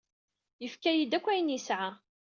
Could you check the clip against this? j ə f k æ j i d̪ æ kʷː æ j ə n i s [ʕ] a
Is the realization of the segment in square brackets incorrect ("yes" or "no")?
no